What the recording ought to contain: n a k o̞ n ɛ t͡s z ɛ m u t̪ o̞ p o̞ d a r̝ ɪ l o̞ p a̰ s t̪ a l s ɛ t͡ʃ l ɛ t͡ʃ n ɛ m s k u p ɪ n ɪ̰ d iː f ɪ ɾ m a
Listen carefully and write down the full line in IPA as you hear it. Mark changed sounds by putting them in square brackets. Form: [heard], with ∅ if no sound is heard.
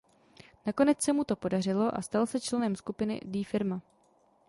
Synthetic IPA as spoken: n a k o̞ n ɛ t͡s [s] ɛ m u t̪ o̞ p o̞ d a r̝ ɪ l o̞ [ʔ] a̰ s t̪ a l s ɛ t͡ʃ l ɛ [∅] n ɛ m s k u p ɪ n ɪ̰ d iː f ɪ ɾ m a